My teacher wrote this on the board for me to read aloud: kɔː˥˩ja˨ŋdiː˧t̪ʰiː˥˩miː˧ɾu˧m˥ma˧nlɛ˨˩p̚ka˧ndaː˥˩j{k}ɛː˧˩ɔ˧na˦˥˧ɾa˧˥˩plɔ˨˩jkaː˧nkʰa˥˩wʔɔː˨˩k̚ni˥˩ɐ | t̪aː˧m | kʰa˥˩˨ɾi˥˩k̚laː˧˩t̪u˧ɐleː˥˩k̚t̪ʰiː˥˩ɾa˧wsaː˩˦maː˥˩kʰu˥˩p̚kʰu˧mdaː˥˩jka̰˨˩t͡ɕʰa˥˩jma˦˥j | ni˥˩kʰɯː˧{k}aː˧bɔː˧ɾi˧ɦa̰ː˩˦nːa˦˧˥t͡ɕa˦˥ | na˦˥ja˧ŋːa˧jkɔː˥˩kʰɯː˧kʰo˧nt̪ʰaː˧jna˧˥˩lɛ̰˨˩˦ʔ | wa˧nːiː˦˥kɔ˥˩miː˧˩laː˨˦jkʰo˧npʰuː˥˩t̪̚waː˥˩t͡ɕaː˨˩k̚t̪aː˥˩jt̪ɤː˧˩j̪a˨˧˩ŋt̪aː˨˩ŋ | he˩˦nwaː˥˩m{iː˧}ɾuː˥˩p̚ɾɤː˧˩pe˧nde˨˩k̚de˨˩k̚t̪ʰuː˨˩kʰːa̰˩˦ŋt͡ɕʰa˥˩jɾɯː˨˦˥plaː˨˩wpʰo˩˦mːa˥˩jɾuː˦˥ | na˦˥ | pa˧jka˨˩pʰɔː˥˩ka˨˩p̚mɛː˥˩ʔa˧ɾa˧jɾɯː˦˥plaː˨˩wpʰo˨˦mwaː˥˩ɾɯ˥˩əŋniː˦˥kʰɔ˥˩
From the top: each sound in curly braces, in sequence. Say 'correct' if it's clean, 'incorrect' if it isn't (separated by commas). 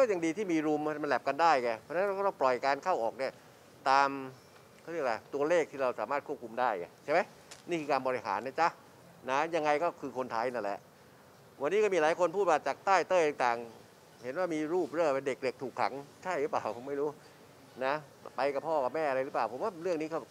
correct, correct, correct